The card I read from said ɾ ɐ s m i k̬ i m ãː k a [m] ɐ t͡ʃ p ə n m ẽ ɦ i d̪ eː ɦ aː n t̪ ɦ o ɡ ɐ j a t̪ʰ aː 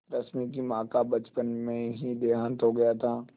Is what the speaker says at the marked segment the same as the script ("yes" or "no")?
no